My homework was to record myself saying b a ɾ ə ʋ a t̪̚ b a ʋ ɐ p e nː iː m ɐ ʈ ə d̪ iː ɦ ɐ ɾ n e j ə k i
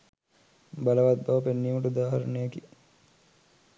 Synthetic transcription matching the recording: b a l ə ʋ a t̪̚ b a ʋ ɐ p e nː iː m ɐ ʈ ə d̪ aː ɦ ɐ ɾ n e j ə k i